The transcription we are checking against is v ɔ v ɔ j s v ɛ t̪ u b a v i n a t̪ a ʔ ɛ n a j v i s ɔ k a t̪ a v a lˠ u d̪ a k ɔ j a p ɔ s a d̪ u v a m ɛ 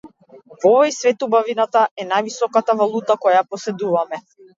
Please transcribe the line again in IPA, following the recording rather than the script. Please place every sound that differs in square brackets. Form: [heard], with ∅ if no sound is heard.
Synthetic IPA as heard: v ɔ v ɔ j s v ɛ t̪ u b a v i n a t̪ a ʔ ɛ n a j v i s ɔ k a t̪ a v a lˠ u [t̪] a k ɔ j a p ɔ s [ɛ] d̪ u v a m ɛ